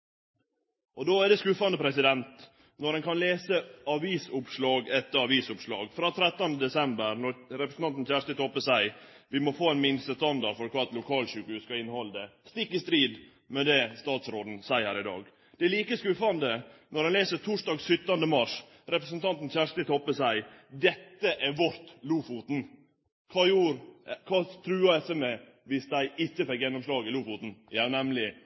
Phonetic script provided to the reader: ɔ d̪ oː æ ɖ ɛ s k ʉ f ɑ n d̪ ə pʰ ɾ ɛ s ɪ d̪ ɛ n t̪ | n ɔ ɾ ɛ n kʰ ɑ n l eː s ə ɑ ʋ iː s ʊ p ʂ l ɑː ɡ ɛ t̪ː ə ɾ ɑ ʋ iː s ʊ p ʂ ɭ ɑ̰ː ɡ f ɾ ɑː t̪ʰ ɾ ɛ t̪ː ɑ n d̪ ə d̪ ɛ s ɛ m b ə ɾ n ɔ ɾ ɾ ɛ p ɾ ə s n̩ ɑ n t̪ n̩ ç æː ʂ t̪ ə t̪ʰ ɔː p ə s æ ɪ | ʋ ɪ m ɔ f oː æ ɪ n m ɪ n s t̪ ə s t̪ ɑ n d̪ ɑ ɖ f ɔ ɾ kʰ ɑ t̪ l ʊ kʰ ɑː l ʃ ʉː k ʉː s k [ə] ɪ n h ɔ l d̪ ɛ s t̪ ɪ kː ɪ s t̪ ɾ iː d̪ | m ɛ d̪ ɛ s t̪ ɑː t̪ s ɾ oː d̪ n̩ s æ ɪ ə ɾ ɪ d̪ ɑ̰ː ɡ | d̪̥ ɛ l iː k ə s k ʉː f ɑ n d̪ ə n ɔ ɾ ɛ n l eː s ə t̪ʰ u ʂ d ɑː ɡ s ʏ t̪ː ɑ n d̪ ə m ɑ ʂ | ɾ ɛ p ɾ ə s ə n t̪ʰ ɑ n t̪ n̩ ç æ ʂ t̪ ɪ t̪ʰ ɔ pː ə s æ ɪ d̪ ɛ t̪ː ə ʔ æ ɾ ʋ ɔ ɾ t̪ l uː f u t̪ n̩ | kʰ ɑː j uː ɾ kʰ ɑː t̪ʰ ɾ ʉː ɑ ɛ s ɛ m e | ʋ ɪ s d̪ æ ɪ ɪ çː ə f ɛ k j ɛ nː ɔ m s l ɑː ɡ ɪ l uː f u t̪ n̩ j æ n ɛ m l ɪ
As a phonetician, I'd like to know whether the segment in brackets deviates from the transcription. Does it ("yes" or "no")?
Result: yes